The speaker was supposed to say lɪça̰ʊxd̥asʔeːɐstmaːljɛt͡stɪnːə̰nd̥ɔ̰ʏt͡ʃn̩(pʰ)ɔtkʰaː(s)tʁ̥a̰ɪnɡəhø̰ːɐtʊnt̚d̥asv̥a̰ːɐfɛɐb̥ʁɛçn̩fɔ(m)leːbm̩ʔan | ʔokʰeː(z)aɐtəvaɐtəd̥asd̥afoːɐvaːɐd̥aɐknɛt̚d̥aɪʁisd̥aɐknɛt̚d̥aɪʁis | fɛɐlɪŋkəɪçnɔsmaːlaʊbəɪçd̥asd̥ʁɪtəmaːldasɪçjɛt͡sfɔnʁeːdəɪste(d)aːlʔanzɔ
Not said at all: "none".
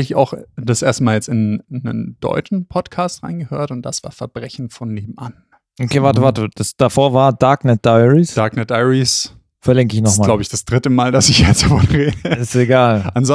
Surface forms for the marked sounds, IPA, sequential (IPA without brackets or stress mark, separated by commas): pʰ, s, n, v, ɡ